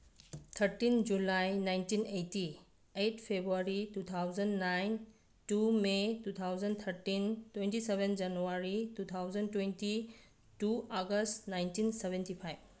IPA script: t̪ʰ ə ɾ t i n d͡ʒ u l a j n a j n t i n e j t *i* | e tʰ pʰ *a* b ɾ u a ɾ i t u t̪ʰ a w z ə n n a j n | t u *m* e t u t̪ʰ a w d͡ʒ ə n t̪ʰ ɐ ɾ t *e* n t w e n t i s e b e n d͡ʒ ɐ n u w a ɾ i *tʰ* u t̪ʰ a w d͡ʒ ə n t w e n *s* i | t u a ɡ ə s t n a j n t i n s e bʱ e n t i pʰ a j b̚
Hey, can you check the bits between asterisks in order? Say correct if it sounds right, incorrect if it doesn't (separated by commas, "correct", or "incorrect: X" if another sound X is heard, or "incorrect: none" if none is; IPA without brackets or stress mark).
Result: correct, incorrect: e, correct, incorrect: i, incorrect: t, incorrect: t